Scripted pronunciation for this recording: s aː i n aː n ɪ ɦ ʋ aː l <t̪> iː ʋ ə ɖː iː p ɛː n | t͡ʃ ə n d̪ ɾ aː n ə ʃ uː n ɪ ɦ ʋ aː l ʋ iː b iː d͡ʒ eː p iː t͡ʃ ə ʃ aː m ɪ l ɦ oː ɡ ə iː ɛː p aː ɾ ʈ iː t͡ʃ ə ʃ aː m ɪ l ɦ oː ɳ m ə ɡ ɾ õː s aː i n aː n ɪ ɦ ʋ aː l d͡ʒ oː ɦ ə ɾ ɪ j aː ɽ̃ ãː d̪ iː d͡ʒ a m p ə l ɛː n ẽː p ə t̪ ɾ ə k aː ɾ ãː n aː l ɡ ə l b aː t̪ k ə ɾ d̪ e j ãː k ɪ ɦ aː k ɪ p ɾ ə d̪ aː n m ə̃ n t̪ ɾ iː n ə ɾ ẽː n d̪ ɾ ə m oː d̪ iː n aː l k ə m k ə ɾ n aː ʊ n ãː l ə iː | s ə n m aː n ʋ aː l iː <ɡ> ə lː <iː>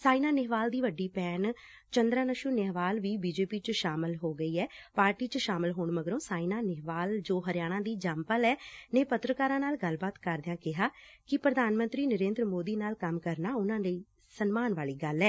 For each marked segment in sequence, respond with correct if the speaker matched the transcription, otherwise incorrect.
incorrect: d̪, correct, incorrect: ɛː

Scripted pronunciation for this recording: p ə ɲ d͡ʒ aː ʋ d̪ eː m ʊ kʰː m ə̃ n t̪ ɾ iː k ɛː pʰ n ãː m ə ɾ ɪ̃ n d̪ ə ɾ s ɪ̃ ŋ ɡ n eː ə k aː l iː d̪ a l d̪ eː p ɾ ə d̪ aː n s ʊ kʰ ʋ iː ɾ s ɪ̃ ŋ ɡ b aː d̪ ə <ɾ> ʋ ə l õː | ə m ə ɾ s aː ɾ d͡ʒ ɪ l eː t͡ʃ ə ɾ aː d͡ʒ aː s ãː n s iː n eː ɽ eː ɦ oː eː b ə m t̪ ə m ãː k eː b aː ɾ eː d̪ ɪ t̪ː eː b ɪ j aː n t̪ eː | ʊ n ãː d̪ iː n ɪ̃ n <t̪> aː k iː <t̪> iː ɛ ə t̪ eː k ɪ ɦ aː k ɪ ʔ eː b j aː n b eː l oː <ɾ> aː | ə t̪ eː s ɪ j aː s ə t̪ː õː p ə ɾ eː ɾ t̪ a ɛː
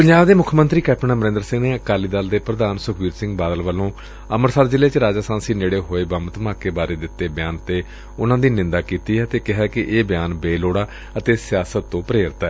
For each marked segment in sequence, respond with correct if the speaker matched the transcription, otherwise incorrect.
incorrect: l, incorrect: d̪, correct, incorrect: ɽ

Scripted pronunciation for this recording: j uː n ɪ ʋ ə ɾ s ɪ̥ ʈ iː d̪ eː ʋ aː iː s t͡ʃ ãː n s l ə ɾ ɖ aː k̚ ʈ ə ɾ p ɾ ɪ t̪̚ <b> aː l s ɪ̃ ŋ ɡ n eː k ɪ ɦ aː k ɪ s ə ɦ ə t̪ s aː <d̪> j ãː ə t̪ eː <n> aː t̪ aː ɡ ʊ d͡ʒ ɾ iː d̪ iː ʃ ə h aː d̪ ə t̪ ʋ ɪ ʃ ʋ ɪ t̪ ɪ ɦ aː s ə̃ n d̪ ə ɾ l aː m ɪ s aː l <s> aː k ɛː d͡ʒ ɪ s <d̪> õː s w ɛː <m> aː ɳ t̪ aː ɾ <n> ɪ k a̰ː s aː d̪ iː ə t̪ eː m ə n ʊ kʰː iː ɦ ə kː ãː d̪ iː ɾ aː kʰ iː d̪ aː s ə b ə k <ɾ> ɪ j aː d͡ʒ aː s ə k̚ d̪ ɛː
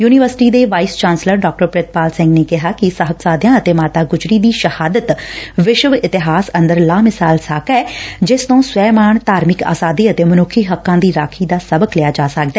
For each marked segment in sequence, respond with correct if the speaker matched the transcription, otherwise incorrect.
incorrect: p, correct, incorrect: m, correct, incorrect: t̪, correct, incorrect: m, incorrect: l

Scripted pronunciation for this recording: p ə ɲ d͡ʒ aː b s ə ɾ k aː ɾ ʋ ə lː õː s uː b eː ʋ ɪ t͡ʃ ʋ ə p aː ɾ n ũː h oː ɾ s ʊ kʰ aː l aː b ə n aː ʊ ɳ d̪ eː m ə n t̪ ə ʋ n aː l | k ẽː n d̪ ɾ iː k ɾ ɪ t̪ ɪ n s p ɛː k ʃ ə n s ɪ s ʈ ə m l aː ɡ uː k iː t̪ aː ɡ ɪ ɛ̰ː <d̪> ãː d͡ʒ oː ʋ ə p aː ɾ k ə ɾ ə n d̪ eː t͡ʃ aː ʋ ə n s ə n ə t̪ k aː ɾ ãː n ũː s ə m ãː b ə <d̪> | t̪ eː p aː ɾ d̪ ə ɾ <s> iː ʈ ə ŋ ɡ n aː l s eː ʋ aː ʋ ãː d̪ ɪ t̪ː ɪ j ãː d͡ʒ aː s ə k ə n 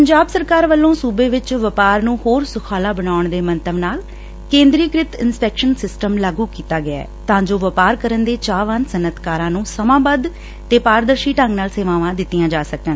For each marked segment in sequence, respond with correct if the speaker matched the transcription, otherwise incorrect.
incorrect: t̪, correct, incorrect: ʃ

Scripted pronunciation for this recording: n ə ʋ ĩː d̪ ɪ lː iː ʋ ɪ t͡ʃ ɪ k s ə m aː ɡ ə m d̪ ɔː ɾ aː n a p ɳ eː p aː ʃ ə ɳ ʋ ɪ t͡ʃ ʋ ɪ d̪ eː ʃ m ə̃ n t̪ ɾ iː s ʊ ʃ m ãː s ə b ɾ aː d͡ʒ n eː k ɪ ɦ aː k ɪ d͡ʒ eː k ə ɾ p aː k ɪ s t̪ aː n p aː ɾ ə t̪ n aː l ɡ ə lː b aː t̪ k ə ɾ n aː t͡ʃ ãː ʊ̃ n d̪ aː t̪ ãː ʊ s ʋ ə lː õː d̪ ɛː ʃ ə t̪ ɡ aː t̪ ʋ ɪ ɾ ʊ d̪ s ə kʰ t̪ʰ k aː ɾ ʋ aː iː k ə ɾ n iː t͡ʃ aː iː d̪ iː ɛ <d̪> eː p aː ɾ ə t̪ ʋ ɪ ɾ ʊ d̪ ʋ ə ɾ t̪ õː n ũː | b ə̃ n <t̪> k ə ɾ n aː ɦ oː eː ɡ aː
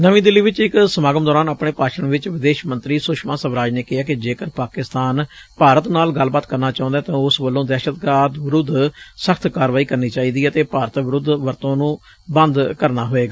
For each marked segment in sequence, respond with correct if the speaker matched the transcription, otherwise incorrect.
incorrect: t̪, incorrect: d̪

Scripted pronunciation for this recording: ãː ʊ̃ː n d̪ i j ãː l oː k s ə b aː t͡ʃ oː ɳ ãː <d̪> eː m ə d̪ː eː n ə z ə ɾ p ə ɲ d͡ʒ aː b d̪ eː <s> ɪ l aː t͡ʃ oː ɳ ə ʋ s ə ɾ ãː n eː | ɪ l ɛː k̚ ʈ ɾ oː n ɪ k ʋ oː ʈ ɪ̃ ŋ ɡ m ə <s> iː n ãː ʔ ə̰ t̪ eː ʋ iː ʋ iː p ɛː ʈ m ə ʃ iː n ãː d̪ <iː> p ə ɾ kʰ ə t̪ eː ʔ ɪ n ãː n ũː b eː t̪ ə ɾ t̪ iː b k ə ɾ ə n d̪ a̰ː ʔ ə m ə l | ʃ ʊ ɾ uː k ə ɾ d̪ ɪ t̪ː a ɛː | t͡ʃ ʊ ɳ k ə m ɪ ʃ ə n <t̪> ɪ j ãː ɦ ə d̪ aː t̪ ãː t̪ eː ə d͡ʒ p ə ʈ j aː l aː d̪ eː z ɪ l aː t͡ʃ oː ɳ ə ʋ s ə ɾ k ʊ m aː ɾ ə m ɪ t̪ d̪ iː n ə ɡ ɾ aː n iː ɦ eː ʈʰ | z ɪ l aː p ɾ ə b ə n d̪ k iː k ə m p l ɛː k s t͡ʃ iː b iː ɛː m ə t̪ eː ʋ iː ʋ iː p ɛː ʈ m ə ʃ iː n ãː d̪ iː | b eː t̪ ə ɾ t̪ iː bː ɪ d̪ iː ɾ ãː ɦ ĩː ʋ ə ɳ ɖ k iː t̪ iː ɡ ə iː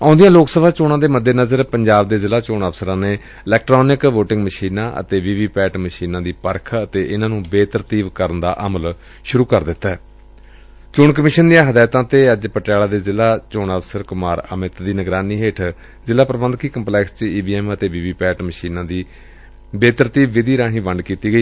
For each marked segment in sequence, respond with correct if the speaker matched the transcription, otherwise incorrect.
correct, incorrect: z, incorrect: ʃ, correct, incorrect: d̪

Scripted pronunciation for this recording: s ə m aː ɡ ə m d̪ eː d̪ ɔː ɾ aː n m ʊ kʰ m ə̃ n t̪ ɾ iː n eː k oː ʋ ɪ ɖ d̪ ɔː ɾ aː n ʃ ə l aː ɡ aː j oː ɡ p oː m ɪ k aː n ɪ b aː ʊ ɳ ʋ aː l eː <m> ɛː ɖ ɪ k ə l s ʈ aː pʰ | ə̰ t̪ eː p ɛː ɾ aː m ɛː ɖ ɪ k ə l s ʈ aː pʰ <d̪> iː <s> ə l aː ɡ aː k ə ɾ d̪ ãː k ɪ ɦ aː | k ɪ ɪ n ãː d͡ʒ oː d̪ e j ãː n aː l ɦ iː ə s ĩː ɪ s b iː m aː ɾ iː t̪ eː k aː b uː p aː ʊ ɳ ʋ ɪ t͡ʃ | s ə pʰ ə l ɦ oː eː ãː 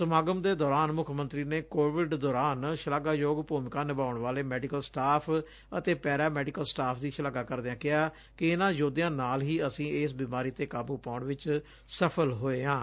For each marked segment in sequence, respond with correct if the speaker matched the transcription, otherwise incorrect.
correct, correct, incorrect: ʃ

